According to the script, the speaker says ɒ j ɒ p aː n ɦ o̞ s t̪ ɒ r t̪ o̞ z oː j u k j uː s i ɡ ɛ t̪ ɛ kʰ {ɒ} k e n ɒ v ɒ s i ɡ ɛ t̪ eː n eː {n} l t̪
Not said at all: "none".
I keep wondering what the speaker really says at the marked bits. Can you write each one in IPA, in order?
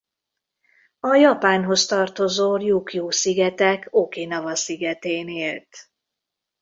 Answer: o, none

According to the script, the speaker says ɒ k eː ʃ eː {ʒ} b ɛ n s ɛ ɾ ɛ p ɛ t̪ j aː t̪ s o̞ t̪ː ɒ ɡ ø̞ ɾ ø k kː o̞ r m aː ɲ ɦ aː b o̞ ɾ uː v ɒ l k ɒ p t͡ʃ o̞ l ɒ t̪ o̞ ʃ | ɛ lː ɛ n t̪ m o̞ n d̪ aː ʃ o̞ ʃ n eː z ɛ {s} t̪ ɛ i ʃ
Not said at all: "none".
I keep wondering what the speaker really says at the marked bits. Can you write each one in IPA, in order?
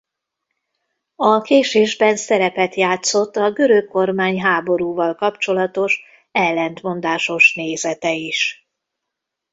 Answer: ʒ, none

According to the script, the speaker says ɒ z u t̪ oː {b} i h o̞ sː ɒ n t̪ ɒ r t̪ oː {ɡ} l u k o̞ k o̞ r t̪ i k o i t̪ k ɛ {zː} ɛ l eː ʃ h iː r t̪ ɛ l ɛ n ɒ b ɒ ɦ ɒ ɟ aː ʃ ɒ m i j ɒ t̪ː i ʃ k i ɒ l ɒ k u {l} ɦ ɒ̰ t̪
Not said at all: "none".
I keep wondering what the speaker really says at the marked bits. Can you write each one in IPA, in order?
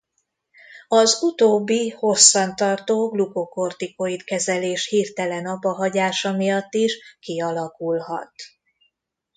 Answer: bː, ɡ, z, l

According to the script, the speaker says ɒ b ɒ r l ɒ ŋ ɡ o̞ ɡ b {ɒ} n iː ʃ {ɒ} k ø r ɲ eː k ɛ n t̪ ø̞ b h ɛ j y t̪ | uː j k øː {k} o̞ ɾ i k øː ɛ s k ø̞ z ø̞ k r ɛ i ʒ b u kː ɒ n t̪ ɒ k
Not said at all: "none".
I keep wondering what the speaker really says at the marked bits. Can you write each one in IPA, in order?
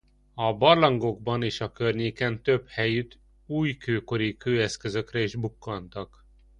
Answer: ɒ, ɒ, k

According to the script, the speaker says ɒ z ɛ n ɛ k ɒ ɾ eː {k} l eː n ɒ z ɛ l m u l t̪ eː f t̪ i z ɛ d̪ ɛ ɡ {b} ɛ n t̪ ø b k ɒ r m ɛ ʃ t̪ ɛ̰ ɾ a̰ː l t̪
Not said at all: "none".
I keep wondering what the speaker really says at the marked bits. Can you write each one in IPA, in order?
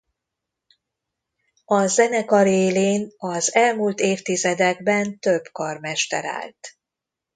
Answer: none, b

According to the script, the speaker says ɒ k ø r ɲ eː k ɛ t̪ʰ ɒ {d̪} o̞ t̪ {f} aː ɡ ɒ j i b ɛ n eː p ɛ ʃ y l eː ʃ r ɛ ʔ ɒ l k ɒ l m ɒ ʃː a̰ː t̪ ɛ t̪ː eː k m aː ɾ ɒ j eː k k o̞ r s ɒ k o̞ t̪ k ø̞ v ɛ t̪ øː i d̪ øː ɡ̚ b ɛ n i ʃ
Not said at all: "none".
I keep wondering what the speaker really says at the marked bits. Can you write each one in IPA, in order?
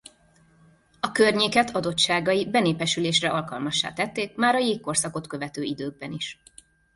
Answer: d̪, ʃ

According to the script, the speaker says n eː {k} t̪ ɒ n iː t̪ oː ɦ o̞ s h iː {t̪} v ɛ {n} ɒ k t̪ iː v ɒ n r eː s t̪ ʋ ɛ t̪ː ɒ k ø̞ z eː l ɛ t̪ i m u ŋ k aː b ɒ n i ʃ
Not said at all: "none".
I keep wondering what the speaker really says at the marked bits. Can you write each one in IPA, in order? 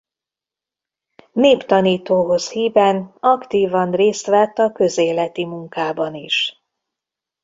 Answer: p, none, n

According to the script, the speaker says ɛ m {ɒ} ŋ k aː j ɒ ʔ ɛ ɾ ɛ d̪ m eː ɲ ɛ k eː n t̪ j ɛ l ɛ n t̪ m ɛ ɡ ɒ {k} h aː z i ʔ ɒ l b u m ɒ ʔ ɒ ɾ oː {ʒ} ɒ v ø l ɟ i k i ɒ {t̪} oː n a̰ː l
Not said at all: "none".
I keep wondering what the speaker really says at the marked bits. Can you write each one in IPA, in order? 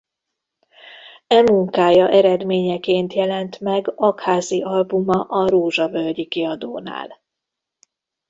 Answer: u, k, ʒ, d̪

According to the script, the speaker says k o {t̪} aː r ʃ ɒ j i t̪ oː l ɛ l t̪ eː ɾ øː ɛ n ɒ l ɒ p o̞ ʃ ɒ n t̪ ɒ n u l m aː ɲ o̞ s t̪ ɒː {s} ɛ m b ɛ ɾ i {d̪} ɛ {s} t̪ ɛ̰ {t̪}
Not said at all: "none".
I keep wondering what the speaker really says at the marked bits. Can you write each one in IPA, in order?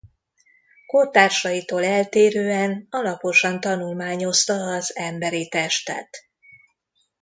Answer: t̪, z, t̪, ʃ, t̪

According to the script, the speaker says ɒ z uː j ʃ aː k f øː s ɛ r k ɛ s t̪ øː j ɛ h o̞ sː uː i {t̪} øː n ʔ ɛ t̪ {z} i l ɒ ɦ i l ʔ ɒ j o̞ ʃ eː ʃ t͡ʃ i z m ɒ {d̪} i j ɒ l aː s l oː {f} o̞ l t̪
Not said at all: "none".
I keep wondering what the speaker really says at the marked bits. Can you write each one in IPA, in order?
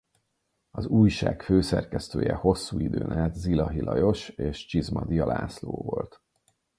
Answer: d̪, z, d̪, v

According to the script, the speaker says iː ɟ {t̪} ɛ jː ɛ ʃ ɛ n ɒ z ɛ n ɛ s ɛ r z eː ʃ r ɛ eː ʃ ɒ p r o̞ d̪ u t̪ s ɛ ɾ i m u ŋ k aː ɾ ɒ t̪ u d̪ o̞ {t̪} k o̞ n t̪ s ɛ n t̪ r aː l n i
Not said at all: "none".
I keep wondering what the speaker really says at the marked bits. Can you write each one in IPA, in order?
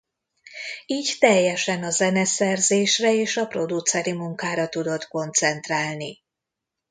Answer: t̪, t̪

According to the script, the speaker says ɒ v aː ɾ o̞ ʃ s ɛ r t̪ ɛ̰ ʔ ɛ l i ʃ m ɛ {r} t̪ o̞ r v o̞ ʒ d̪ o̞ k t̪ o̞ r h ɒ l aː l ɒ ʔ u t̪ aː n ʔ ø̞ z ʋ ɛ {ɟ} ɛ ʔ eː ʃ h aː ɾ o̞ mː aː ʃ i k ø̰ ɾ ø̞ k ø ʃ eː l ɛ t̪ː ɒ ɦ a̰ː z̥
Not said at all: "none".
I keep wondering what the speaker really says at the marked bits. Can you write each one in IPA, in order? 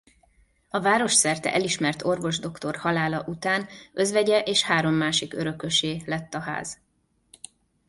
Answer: r, ɟ

